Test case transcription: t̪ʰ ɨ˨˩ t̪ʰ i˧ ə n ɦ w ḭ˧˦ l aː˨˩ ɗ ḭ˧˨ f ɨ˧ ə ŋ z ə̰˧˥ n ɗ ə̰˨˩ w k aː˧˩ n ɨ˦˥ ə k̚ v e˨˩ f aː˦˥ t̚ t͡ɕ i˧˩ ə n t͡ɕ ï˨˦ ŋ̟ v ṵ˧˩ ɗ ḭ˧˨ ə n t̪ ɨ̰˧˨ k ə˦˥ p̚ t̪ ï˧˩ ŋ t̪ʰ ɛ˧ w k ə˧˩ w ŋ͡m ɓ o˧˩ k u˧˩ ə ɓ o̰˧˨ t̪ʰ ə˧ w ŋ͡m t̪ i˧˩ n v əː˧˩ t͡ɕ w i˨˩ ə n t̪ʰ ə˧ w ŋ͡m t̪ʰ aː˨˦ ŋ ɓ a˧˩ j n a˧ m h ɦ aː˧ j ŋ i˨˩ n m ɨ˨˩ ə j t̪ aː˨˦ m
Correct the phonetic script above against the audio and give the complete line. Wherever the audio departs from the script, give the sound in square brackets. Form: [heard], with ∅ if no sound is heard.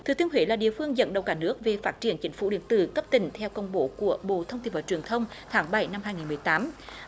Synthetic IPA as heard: t̪ʰ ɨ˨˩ [t̪] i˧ ə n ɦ w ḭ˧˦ l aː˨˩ ɗ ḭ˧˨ f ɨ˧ ə ŋ z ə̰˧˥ n ɗ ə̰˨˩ w k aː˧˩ n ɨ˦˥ ə k̚ v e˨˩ f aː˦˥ t̚ t͡ɕ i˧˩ ə n t͡ɕ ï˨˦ ŋ̟ [f] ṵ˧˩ ɗ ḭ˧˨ ə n t̪ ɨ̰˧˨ k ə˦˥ p̚ t̪ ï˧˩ ŋ t̪ʰ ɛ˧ w k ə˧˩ w ŋ͡m ɓ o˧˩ k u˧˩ ə ɓ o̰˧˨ t̪ʰ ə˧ w ŋ͡m t̪ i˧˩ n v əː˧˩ t͡ɕ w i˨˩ ə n t̪ʰ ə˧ w ŋ͡m t̪ʰ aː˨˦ ŋ ɓ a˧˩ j n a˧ m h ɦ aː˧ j ŋ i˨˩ n m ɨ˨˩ ə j t̪ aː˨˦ m

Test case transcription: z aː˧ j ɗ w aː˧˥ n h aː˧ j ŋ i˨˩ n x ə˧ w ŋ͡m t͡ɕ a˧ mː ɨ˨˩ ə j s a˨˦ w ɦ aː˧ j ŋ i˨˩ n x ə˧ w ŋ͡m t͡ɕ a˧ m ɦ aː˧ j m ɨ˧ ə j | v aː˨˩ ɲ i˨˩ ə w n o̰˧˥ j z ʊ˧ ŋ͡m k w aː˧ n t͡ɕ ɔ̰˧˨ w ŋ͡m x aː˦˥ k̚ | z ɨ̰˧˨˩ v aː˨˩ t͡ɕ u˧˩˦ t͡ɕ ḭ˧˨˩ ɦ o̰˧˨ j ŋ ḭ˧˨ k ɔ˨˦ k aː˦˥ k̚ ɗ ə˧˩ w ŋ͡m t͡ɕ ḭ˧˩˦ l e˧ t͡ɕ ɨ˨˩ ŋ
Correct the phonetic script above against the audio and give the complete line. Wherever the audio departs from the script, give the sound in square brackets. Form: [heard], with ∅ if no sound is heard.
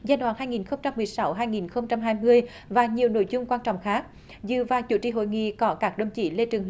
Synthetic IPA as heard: z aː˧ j ɗ w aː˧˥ n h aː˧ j ŋ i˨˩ n x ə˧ w ŋ͡m t͡ɕ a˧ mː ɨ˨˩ ə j s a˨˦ w ɦ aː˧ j ŋ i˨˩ n x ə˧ w ŋ͡m t͡ɕ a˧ m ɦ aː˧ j m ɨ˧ ə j | v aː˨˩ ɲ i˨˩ ə w n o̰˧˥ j z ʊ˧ ŋ͡m k w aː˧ n t͡ɕ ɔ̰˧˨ w ŋ͡m x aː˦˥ k̚ | z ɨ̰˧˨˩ v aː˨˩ t͡ɕ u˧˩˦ t͡ɕ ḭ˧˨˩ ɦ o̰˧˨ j ŋ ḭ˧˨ k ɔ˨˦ k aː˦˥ k̚ ɗ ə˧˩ w ŋ͡m t͡ɕ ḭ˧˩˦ l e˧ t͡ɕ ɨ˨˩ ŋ

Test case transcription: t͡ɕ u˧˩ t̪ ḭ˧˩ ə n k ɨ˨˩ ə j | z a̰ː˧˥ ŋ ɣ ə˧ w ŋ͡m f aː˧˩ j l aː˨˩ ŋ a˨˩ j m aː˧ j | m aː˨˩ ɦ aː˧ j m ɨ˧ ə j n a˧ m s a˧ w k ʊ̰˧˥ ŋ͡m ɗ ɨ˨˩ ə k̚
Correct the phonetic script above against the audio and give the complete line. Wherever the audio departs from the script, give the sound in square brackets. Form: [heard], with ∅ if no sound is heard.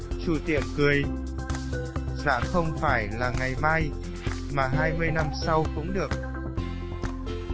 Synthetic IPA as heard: t͡ɕ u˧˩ t̪ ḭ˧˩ ə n k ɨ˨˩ ə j | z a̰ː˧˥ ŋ [x] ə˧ w ŋ͡m f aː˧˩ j l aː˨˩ ŋ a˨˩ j m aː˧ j | m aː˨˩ ɦ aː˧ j m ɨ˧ ə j n a˧ m s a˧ w k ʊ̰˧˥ ŋ͡m ɗ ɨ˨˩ ə k̚

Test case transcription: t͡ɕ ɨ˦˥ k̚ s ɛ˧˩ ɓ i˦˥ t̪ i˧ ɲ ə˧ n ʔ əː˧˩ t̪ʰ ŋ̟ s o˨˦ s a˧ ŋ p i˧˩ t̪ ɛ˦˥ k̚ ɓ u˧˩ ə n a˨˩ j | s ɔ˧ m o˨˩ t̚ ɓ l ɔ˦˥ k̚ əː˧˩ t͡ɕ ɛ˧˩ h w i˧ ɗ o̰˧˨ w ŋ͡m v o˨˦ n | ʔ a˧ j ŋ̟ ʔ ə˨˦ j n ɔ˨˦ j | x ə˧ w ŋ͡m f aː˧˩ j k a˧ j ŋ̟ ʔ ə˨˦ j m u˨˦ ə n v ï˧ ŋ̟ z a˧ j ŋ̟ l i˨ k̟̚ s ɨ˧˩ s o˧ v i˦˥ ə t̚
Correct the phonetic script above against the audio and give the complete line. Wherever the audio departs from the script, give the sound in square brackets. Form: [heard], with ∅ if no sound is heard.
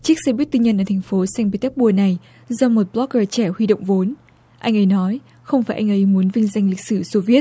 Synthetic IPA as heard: t͡ɕ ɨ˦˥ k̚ s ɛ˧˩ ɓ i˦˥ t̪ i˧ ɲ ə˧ n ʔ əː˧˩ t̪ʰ ŋ̟ [f] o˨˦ s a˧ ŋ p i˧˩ t̪ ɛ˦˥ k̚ ɓ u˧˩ ə n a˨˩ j | [z] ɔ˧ m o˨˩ t̚ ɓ l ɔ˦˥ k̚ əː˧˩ t͡ɕ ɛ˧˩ h w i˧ ɗ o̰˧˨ w ŋ͡m v o˨˦ n | ʔ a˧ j ŋ̟ ʔ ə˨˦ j n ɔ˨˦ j | x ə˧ w ŋ͡m f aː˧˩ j [ʔ] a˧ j ŋ̟ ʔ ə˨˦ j m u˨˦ ə n v ï˧ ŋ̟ z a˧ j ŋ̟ l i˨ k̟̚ s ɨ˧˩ s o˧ v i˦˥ ə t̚

